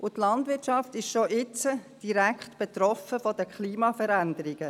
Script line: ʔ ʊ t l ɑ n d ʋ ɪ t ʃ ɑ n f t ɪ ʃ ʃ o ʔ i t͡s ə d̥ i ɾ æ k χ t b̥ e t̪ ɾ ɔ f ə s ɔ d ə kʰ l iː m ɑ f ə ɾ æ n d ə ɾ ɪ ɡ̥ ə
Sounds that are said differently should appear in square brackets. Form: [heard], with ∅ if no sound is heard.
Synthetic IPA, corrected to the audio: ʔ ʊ t l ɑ n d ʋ ɪ t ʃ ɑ [∅] f t ɪ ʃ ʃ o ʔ [ɪ] t͡s ə d̥ i ɾ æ k χ t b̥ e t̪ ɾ ɔ f ə [f] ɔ d ə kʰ l iː m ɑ f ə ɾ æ n d ə ɾ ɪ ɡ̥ ə